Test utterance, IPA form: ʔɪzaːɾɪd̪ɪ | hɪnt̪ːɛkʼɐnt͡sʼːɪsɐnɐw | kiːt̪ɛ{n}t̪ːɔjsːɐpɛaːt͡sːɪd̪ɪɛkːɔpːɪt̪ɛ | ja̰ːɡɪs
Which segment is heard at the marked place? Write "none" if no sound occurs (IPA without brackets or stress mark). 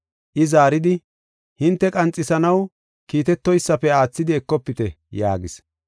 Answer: none